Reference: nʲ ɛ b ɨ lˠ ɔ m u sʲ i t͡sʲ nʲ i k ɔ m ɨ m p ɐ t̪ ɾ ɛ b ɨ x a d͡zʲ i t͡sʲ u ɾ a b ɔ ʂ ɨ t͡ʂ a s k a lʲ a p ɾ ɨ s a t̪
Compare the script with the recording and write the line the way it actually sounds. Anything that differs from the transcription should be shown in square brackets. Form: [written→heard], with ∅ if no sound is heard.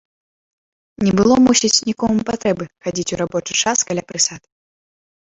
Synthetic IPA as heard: nʲ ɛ b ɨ lˠ ɔ m u sʲ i t͡sʲ nʲ i k ɔ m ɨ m p [ɐ→a] t̪ ɾ ɛ b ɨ x a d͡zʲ i t͡sʲ u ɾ a b ɔ [ʂ→t͡ʂ] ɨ t͡ʂ a s k a lʲ a p ɾ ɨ s a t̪